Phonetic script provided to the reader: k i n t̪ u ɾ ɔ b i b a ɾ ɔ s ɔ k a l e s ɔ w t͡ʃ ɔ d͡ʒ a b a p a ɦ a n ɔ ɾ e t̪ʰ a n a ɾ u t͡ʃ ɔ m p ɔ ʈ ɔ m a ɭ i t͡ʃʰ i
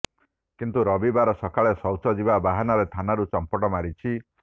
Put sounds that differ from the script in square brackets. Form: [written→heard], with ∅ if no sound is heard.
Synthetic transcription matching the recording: k i n t̪ u ɾ ɔ b i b a ɾ ɔ s ɔ k a [l→ɭ] e s ɔ w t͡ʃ ɔ d͡ʒ [a→i] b a [p→b] a ɦ a n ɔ ɾ e t̪ʰ a n a ɾ u t͡ʃ ɔ m p ɔ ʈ ɔ m a [ɭ→ɾ] i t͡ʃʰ i